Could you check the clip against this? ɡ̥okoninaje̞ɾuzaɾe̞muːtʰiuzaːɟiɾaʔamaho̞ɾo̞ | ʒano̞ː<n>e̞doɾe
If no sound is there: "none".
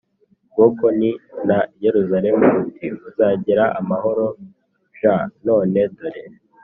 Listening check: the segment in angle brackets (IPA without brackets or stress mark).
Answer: n